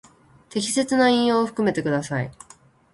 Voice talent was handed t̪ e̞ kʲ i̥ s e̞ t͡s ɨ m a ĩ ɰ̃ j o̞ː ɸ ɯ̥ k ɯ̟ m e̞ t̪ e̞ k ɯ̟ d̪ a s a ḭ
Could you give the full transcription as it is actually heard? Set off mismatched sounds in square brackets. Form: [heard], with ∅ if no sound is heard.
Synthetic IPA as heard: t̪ e̞ kʲ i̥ s e̞ t͡s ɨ [n] a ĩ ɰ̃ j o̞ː ɸ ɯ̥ k ɯ̟ m e̞ t̪ e̞ k ɯ̟ d̪ a s a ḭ